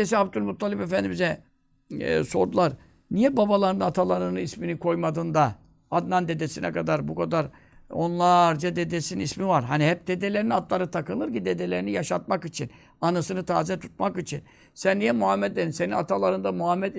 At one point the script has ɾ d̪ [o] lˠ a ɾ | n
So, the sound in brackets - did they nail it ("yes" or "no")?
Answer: no